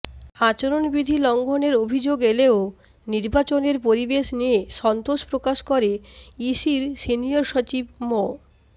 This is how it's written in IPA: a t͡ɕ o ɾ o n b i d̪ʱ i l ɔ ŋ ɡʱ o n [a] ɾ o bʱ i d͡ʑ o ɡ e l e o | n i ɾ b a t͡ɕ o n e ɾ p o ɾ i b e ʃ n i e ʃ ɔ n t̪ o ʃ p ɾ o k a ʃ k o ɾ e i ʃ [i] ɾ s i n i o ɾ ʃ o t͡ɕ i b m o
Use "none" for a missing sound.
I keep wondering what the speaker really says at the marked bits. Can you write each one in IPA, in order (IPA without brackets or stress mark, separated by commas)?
e, i